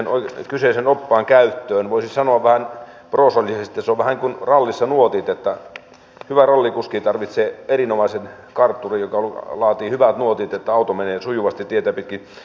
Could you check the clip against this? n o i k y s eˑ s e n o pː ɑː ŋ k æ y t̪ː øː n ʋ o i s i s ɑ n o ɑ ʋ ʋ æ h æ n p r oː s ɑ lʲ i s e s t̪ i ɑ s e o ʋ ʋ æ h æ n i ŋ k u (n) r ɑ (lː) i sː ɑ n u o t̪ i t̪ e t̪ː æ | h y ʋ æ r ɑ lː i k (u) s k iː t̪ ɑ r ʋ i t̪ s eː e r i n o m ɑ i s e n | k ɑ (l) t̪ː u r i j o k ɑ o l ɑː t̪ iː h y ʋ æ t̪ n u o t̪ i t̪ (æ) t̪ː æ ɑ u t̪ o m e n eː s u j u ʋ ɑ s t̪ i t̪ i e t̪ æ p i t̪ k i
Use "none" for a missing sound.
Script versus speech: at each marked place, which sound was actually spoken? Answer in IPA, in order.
n, lː, u, r, e

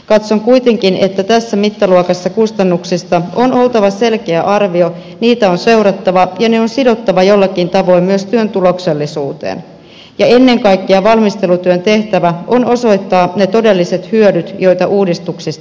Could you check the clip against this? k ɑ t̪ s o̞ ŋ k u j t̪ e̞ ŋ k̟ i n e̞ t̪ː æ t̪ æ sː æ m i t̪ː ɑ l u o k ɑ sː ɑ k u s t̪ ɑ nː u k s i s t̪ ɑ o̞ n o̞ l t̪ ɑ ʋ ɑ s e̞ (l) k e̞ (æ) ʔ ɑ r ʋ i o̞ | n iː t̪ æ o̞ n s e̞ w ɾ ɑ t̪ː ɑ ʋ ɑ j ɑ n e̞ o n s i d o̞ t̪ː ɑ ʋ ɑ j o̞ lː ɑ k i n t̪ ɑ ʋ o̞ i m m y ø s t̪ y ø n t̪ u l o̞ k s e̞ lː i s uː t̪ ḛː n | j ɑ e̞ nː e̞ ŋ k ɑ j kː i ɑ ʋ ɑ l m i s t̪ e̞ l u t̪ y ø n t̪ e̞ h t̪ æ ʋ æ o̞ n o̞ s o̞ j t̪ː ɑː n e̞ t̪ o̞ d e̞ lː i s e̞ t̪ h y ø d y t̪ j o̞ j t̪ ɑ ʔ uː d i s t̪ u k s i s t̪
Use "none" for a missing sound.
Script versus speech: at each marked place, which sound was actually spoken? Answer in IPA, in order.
l, æ

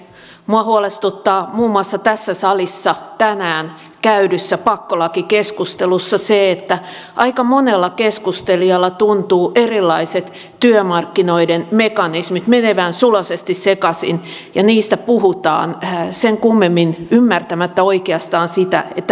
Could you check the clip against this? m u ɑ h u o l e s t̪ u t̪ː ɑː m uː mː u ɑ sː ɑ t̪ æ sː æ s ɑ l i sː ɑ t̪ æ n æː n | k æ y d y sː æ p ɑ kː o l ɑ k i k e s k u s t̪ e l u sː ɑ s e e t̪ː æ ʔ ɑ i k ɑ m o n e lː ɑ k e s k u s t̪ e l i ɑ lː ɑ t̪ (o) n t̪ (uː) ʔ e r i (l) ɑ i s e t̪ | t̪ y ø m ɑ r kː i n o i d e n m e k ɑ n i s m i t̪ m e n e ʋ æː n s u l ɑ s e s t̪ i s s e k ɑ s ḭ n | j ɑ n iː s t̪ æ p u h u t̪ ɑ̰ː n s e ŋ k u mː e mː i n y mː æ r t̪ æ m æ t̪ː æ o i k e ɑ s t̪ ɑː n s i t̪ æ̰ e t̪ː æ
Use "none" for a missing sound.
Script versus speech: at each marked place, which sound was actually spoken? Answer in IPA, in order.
u, uː, lː

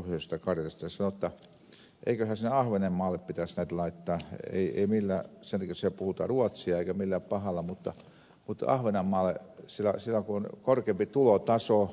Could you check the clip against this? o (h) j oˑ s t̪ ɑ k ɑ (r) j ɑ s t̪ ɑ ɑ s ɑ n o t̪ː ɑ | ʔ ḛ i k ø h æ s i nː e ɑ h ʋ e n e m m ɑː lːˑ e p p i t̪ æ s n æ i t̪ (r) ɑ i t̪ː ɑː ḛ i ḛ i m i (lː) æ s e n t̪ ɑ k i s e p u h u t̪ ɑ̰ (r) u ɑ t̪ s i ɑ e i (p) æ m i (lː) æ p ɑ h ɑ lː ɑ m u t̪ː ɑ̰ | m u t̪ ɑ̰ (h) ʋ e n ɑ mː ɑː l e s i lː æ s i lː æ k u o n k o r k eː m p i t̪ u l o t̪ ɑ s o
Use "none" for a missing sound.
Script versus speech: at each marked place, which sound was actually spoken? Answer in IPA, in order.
h, r, l, lː, r, k, lː, h

